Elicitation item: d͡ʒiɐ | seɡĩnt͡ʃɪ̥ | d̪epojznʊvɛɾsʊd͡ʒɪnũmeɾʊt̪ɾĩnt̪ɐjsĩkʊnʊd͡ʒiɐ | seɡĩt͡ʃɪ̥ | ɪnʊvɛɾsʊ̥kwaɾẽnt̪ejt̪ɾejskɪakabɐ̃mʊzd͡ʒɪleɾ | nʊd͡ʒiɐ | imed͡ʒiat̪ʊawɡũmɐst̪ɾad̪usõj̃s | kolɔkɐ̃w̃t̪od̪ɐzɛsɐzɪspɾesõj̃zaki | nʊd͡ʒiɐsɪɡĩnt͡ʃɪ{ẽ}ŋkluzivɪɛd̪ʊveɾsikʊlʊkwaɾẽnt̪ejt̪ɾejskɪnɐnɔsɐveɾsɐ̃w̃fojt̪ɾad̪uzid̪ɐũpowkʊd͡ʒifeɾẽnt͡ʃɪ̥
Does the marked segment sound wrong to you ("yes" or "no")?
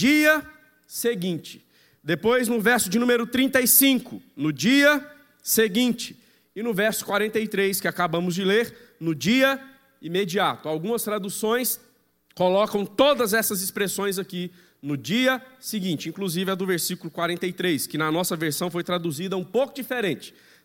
yes